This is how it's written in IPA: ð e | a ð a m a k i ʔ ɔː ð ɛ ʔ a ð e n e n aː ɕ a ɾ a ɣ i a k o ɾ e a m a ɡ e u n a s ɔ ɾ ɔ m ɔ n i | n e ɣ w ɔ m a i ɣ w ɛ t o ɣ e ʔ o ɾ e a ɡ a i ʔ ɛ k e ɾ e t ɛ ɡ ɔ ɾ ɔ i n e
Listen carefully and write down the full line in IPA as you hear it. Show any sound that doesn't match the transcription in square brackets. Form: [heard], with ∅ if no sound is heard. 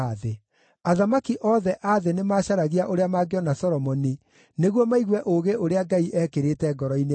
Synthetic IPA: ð e | a ð a m a k i ʔ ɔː ð ɛ ʔ a ð e n e [m] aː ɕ a ɾ a ɣ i a [ʔ] o ɾ e a m a ɡ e [ɔ] n a s ɔ ɾ ɔ m ɔ n i | n e ɣ w ɔ m a i ɣ w ɛ [ʔ] o ɣ e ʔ o ɾ e a ɡ a i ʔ ɛ k e ɾ e t ɛ ɡ ɔ ɾ ɔ i n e